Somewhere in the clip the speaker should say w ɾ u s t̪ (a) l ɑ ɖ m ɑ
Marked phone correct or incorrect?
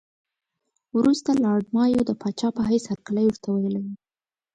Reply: correct